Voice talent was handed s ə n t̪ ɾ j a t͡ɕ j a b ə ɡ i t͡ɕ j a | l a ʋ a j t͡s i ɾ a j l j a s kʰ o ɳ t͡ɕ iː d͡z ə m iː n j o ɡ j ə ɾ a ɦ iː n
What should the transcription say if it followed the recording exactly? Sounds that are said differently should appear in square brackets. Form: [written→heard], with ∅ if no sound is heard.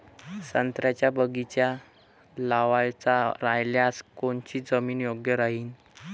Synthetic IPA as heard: s ə n t̪ ɾ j a t͡ɕ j a b ə ɡ i t͡ɕ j a | l a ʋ a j t͡s [i→a] ɾ a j l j a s [kʰ→k] o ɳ t͡ɕ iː d͡z ə m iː n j o ɡ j ə ɾ a ɦ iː n